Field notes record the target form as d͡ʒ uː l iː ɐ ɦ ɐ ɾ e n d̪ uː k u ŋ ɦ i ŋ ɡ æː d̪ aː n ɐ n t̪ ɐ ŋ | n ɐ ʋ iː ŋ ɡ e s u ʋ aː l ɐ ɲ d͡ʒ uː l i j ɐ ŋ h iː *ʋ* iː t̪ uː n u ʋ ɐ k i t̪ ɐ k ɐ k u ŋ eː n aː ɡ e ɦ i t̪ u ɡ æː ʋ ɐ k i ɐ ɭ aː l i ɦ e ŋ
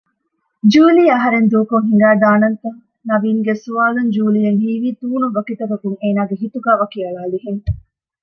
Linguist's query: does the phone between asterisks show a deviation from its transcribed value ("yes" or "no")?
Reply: no